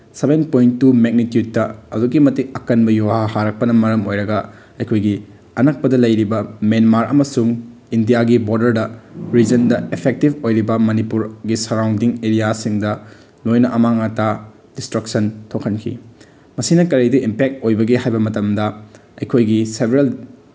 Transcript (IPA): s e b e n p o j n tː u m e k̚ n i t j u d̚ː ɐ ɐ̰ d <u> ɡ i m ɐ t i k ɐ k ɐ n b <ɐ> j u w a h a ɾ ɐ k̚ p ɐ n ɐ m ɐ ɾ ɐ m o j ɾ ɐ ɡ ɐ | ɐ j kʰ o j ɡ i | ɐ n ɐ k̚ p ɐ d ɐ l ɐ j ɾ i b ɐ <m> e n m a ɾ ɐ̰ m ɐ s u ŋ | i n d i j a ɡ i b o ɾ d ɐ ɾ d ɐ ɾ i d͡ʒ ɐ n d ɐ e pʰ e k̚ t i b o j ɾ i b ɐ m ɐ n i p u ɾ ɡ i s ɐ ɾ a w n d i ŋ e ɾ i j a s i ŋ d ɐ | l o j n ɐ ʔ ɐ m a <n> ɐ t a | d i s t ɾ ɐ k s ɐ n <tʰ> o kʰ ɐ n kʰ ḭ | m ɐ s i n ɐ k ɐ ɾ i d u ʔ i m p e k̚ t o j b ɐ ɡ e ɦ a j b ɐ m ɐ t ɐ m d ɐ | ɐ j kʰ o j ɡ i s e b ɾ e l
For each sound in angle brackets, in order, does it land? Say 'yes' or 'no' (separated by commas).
yes, yes, yes, no, yes